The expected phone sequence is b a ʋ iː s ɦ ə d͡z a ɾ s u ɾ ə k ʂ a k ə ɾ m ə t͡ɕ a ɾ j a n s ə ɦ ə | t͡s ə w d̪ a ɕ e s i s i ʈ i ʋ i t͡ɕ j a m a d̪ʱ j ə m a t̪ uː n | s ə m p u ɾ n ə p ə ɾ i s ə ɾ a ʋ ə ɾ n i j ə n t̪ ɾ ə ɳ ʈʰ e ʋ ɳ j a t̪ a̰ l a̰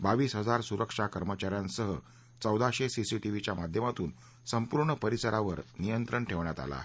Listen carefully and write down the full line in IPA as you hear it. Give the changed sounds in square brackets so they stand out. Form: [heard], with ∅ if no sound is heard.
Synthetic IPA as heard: b a ʋ iː s ɦ ə d͡z a ɾ s u ɾ ə k ʂ a k ə ɾ m ə t͡ɕ a ɾ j a n s ə ɦ ə | t͡s ə w d̪ a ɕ e s i s i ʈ i ʋ i t͡ɕ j a m a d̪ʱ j ə m a t̪ uː n | s ə m p u ɾ [ɳ] ə p ə ɾ i s ə ɾ a ʋ ə ɾ n i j ə n t̪ ɾ ə ɳ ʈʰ e ʋ ɳ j a t̪ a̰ l a̰